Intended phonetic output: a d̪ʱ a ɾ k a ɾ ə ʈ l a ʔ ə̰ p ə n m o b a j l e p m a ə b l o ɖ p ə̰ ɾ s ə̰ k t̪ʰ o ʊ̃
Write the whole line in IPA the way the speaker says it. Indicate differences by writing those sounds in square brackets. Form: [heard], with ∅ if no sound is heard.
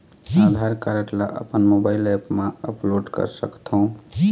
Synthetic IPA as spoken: a d̪ʱ a ɾ k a ɾ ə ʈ l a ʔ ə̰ p ə n m o b a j l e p m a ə [p] l o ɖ [k] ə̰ ɾ s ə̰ k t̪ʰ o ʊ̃